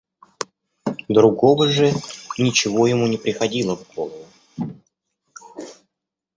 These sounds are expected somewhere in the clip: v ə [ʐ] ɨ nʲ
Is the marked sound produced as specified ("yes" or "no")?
yes